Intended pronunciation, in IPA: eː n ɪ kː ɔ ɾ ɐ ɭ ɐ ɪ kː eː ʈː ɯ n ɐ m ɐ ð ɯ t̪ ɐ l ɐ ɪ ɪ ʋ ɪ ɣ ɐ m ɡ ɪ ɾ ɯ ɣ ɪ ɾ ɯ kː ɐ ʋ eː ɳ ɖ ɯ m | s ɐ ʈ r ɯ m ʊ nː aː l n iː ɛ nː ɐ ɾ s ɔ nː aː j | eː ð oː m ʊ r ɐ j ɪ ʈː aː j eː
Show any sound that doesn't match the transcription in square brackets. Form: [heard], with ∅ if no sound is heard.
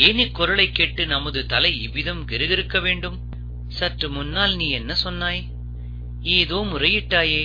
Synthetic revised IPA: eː n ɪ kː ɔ ɾ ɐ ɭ ɐ ɪ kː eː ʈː ɯ n ɐ m ɐ ð ɯ t̪ ɐ l ɐ ɪ ɪ ʋ ɪ [ð] ɐ m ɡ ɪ ɾ ɯ ɣ ɪ ɾ ɯ kː ɐ ʋ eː ɳ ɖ ɯ m | s ɐ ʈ r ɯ m ʊ nː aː l n iː ɛ nː ɐ [∅] s ɔ nː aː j | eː ð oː m ʊ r ɐ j ɪ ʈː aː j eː